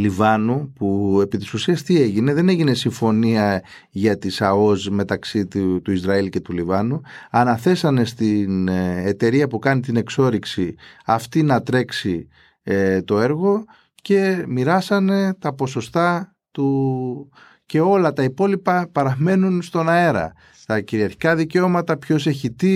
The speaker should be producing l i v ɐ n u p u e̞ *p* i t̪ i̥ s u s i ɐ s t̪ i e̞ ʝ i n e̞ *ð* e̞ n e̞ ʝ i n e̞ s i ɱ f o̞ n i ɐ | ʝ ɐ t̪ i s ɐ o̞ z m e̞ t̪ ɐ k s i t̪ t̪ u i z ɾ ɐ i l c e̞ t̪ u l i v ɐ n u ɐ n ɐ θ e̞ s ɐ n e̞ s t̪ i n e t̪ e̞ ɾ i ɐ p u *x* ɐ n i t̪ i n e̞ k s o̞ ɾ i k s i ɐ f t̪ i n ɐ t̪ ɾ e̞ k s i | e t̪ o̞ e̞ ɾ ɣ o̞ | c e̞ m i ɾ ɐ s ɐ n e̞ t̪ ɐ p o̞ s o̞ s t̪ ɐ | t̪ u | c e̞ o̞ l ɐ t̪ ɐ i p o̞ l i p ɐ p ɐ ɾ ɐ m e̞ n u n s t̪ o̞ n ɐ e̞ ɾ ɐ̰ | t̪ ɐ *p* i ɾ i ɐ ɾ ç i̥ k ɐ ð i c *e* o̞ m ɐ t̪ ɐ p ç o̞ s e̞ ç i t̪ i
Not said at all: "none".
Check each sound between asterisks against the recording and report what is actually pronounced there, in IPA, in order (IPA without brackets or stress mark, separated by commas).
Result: p, ð, k, c, e